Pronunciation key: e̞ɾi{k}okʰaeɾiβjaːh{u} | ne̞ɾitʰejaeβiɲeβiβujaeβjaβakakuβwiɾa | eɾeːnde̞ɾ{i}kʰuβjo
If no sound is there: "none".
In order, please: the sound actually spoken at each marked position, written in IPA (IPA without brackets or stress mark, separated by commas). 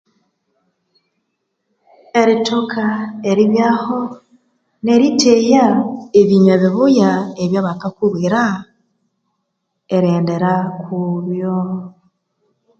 t, o, a